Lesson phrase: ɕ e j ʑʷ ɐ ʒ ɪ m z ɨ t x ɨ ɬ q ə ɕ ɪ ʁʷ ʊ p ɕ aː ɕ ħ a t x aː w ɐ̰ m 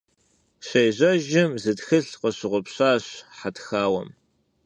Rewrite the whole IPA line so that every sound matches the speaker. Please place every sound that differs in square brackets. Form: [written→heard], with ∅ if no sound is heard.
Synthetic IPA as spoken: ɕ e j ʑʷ ɐ ʒ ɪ m z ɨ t x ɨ ɬ q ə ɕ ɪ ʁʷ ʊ p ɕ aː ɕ ħ a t x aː w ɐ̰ m